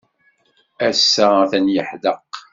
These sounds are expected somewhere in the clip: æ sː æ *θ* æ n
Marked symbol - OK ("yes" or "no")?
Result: yes